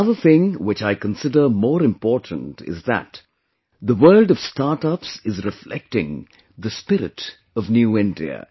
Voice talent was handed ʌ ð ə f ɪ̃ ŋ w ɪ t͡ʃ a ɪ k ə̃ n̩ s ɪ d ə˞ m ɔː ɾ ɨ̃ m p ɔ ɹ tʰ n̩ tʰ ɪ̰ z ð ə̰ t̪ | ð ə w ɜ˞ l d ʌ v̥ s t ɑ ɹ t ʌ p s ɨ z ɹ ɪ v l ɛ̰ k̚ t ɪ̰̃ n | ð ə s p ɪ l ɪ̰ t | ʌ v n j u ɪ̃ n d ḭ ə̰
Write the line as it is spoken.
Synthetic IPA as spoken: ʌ ð ə θ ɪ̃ ŋ w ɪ t͡ʃ a ɪ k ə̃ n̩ s ɪ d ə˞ m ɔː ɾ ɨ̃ m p ɔ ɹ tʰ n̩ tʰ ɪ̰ z ð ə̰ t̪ | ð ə w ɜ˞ l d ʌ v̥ s t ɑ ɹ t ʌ p s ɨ z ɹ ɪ f l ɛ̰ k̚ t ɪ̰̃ ŋ | ð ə s p ɪ ɾ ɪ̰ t | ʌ v n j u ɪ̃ n d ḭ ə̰